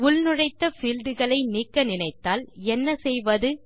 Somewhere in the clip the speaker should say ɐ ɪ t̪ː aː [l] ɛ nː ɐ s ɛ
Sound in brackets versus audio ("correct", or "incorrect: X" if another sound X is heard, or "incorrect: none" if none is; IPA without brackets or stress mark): correct